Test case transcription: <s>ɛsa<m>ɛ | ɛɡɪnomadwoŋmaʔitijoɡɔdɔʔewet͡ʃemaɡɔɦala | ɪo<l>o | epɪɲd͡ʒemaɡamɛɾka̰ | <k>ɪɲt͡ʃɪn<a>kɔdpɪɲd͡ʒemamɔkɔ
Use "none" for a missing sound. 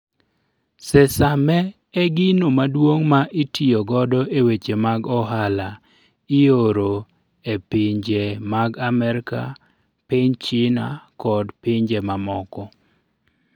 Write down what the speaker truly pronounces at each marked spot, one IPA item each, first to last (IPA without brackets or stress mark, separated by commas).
s, m, ɾ, p, a